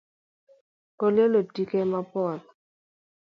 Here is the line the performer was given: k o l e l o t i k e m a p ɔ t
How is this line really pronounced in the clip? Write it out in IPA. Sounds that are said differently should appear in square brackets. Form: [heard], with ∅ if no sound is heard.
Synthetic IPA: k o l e l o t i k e m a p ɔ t